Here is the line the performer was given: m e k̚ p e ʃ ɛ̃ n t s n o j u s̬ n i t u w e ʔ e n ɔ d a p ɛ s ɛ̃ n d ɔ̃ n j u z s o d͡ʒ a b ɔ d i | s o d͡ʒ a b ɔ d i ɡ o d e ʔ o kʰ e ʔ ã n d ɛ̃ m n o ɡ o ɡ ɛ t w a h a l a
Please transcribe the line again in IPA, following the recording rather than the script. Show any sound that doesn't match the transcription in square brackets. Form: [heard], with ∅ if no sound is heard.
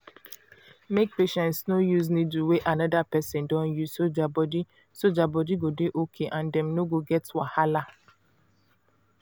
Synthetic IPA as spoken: m e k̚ p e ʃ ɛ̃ n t s n o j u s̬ n i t u w e ʔ [a] n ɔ d a p ɛ s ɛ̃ n d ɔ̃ n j u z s o d͡ʒ a b ɔ d i | s o d͡ʒ a b ɔ d i ɡ o d e ʔ o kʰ e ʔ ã n d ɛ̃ m n o ɡ o ɡ ɛ t w a h a l a

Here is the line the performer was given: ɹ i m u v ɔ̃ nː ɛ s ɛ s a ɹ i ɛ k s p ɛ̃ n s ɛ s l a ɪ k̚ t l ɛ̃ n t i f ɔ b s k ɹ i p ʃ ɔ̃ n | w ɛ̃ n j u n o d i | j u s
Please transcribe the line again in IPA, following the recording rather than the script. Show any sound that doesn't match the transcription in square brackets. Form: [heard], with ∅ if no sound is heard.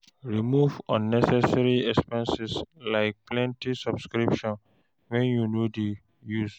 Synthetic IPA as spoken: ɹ i m u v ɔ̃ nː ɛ s ɛ s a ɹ i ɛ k s p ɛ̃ n s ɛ s l a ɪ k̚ [p] l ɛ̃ n t i [s] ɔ b s k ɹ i p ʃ ɔ̃ n | w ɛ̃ n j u n o d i | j u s

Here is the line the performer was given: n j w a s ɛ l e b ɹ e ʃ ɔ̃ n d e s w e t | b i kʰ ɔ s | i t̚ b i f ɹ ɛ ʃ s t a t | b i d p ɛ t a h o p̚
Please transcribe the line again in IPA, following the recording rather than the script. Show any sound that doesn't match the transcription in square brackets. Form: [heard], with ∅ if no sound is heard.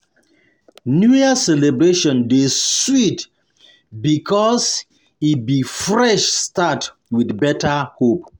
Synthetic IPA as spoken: n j [u] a s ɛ l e b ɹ e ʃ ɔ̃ n d e s w [i] t | b i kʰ ɔ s | i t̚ b i f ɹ ɛ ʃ s t a t | [w] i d [b] ɛ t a h o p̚

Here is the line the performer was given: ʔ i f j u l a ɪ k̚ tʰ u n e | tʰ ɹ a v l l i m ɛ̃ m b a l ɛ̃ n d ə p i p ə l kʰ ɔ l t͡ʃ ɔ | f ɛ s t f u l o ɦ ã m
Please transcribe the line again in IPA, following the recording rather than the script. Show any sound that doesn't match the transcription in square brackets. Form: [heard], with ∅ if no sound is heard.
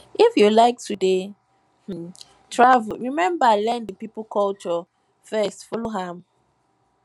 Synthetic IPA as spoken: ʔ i f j u l a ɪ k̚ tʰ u [d] e | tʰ ɹ a v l [ɹ] i m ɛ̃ m b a l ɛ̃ n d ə p i p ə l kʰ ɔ l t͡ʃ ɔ | f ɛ s t f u l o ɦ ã m

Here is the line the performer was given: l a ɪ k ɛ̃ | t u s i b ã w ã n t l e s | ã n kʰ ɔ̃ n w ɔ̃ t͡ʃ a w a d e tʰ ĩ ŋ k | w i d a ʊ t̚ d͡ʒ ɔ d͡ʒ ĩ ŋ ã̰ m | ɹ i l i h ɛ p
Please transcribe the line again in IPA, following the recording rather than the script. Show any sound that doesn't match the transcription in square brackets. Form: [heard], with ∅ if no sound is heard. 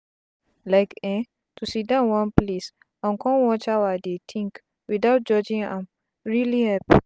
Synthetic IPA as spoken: l a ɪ k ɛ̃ | t u s i [d] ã w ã n [p] l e s | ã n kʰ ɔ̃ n w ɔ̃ t͡ʃ a w a d e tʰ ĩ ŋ k | w i d a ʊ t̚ d͡ʒ ɔ d͡ʒ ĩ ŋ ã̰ m | ɹ i l i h ɛ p

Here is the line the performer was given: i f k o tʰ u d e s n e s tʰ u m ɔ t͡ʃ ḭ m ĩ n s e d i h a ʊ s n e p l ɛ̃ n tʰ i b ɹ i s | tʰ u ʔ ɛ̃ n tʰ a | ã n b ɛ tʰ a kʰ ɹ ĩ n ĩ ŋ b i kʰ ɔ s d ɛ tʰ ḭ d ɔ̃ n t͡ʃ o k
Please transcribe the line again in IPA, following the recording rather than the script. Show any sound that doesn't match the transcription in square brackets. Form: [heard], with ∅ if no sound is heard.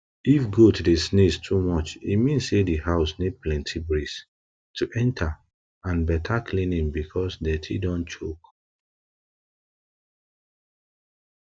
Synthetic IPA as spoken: i f [ɡ] o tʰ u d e s n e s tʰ u m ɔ t͡ʃ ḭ m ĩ n s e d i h a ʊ s n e p l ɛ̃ n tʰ i b ɹ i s | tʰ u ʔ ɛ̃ n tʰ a | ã n b ɛ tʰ a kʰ [l] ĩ n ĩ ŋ b i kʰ ɔ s d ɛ tʰ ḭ d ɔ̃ n t͡ʃ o k

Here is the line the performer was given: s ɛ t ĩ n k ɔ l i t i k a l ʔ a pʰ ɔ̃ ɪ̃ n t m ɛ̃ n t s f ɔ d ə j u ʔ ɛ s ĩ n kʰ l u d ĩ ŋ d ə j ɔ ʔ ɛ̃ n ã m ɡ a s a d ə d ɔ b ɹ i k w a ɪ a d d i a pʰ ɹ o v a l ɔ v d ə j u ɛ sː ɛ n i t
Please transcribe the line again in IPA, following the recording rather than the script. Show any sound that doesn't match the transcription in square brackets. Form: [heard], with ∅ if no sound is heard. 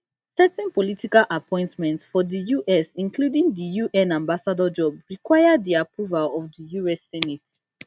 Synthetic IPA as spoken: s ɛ t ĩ n [p] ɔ l i t i k a l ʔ a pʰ ɔ̃ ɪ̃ n t m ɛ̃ n t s f ɔ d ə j u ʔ ɛ s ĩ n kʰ l u d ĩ ŋ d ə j [u] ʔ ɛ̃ n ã m [b] a s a d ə [d͡ʒ] ɔ b ɹ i k w a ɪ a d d i a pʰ ɹ [u] v a l ɔ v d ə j u ɛ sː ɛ n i t

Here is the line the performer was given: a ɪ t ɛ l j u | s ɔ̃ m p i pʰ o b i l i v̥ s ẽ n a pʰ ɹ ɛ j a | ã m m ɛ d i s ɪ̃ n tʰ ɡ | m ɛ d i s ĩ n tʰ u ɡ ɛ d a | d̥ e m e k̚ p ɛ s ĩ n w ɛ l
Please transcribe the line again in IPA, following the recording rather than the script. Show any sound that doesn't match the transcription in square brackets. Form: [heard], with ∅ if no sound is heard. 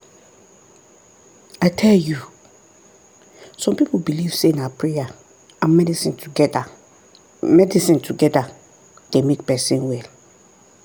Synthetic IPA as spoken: a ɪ [tʰ] ɛ l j u | s ɔ̃ m p i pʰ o b i l i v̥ s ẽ n a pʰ ɹ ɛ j a | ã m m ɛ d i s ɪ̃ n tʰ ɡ | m ɛ d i s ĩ n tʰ u ɡ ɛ d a | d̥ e m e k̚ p ɛ s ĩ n w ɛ l

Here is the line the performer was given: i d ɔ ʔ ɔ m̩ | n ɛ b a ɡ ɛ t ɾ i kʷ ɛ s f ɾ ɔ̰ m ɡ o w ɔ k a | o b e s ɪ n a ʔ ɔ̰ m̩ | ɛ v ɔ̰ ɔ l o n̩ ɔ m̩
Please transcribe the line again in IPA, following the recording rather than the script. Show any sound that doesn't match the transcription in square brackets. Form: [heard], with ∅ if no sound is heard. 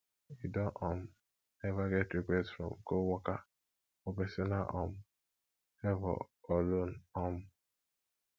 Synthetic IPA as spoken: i d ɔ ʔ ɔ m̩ | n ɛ [v] a ɡ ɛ t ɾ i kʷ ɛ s f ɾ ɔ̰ m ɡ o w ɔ k a | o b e s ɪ n a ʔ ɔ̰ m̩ | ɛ v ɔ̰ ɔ l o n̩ ɔ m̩

